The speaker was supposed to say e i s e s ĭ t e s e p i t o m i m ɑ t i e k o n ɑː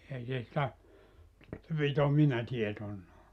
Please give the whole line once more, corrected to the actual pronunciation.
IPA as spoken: e i s e s ĭ t æ s e p i t o m i n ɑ t i e t o nː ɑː